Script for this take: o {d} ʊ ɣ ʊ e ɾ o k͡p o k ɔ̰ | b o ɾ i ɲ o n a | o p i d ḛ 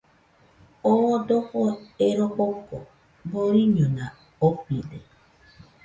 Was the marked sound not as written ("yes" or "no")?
no